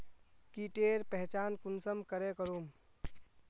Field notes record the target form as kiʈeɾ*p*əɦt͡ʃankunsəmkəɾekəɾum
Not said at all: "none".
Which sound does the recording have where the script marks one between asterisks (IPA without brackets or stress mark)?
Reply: p